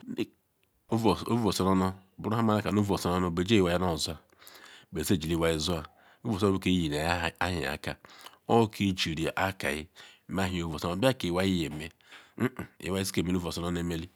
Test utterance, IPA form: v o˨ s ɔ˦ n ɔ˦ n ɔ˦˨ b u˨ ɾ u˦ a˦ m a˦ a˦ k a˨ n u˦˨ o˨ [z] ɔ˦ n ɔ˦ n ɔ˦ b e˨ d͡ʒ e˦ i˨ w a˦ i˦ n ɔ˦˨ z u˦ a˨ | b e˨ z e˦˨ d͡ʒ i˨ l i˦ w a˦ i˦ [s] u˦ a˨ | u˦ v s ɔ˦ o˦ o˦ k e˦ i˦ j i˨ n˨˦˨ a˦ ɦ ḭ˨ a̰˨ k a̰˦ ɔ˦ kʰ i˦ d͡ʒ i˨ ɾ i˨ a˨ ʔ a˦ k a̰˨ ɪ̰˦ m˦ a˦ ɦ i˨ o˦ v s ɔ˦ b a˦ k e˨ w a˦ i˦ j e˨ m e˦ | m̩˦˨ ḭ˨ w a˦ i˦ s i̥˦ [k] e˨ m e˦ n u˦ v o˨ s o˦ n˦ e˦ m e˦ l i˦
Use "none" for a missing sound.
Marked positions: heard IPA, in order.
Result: s, z, k

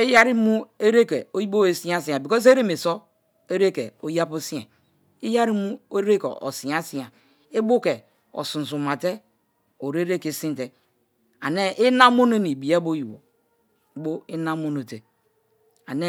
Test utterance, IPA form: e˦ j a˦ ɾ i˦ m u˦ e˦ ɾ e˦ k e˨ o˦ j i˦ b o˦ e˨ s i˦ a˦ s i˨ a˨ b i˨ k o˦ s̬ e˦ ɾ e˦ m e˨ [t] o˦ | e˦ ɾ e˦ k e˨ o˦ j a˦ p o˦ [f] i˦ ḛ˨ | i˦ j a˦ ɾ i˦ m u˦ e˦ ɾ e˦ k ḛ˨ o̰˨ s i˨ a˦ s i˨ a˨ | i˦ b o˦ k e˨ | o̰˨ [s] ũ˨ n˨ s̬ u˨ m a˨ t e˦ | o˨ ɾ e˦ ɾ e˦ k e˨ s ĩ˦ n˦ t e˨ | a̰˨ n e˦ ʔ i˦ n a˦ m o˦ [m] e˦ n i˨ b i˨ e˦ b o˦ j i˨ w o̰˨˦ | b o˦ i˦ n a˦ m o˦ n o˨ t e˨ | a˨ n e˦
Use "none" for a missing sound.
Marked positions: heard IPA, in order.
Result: s, s, s, n

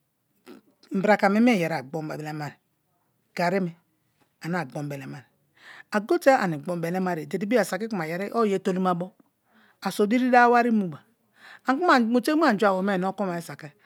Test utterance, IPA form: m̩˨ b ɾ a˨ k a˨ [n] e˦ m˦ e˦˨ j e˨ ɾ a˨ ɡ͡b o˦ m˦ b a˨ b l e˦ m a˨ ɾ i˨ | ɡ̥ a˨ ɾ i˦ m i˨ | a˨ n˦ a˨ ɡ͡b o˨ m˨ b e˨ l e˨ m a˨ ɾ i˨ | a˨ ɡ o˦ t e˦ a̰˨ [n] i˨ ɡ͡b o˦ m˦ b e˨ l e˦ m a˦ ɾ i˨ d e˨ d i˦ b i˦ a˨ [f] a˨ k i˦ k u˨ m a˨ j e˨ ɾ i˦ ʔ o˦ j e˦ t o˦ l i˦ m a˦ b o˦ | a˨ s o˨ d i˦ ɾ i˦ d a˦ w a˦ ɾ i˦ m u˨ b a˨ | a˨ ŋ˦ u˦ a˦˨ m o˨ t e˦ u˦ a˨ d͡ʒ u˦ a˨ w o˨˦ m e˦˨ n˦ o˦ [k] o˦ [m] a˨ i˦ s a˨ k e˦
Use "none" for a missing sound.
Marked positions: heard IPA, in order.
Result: m, n, s, k, m

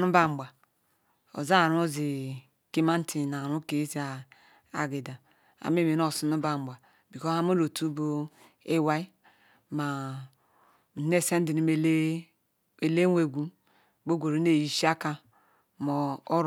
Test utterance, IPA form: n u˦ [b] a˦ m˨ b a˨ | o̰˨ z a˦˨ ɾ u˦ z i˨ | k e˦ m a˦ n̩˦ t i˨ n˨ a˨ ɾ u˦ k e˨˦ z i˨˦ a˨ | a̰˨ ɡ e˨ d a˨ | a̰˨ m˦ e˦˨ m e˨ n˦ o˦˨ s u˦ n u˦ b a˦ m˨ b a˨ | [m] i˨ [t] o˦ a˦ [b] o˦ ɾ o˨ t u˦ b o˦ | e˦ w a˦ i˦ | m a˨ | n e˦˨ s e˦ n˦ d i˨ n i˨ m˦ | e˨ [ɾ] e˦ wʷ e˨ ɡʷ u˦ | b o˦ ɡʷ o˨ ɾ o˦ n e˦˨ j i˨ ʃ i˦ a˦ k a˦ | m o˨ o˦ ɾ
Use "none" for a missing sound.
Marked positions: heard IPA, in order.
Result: b, b, k, m, l

